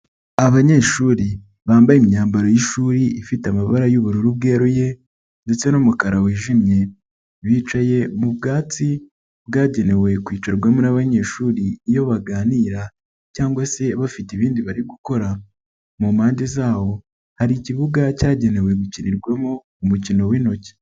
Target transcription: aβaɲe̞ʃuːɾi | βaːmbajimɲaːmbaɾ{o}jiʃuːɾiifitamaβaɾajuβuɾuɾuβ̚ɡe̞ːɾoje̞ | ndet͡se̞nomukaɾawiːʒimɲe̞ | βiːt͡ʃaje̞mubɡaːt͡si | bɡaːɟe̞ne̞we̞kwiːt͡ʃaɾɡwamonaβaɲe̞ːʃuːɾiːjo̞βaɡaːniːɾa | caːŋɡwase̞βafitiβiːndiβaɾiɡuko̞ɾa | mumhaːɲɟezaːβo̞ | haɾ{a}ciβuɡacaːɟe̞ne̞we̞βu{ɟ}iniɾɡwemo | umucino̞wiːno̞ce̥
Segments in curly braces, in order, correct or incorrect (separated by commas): correct, incorrect, incorrect